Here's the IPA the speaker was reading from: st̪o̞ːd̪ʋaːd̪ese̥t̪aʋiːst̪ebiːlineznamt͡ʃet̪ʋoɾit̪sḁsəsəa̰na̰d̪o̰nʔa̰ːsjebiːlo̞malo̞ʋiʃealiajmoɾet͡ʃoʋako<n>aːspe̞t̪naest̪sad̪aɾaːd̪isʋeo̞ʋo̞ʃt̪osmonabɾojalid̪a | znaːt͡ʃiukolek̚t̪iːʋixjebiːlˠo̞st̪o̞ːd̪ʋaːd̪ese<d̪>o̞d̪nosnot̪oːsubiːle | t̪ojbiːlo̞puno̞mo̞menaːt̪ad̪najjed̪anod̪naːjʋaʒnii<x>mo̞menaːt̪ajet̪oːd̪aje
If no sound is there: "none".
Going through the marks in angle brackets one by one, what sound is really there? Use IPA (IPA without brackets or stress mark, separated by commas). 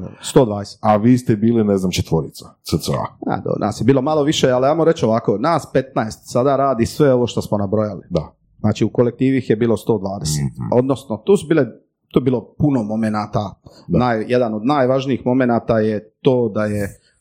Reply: n, t̪, x